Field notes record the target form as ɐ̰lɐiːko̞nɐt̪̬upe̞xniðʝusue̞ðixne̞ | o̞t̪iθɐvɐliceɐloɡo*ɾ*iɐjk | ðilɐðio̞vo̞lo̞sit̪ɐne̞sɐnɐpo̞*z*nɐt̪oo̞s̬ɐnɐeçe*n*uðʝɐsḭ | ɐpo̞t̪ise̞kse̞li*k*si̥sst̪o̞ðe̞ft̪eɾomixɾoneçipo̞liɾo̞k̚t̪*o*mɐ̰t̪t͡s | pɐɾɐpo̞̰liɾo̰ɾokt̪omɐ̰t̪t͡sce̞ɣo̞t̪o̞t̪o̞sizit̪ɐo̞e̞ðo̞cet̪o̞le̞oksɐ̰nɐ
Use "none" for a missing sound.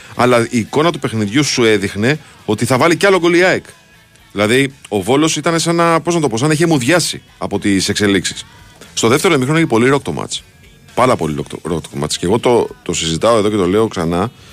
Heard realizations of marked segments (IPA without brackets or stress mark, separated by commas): l, z, m, k, o